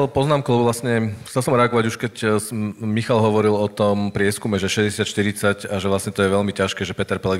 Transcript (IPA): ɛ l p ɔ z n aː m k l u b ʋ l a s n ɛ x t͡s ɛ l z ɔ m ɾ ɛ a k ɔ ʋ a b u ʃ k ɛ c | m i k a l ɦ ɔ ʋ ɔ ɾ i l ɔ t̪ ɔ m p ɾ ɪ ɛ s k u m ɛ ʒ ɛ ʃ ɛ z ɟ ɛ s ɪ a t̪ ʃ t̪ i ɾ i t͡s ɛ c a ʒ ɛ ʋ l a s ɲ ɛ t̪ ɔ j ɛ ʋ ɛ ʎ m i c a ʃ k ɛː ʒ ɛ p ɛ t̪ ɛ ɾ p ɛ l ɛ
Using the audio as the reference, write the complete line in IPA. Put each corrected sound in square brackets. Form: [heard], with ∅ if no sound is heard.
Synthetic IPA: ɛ l p ɔ z n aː m k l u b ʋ l a s [ɲ] ɛ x t͡s ɛ l [s] ɔ m ɾ ɛ a [ɡ] ɔ ʋ a [ɟ] u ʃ k ɛ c | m i [x] a l ɦ ɔ ʋ ɔ ɾ i l ɔ t̪ ɔ m p ɾ ɪ ɛ s k u m ɛ ʒ ɛ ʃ ɛ z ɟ ɛ s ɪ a t̪ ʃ t̪ i ɾ i t͡s [a] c a ʒ ɛ ʋ l a s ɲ ɛ t̪ ɔ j ɛ ʋ ɛ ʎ m i c a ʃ k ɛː ʒ ɛ p ɛ t̪ ɛ ɾ p ɛ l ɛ